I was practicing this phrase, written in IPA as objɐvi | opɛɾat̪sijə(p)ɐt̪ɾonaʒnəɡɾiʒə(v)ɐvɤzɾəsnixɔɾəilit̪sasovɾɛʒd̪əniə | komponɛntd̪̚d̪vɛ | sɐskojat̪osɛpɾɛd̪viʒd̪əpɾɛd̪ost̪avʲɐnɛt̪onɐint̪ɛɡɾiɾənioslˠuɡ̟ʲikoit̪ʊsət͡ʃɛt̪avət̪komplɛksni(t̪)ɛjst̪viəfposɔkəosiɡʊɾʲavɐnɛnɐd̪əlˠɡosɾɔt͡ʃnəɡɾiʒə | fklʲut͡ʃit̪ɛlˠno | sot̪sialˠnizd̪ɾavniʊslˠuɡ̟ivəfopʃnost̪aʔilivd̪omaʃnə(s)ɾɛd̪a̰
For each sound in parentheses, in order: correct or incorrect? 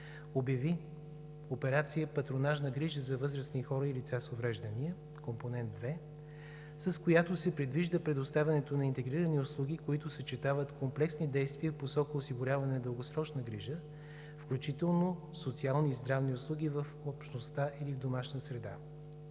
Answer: correct, incorrect, incorrect, correct

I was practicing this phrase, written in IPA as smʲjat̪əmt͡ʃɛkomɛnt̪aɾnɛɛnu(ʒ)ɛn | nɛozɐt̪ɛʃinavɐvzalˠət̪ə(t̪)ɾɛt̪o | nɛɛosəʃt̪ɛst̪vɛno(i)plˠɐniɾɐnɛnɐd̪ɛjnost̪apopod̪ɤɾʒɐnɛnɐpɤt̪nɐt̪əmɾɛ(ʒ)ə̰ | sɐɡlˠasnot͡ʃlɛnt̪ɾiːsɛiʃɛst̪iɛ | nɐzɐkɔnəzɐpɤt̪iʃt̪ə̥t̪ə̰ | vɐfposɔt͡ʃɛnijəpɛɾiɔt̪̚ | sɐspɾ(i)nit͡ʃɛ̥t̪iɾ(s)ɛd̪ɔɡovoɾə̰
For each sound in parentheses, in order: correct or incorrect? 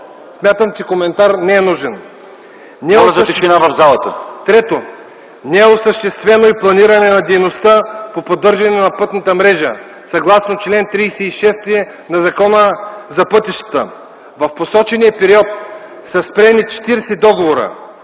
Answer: correct, correct, correct, correct, incorrect, correct

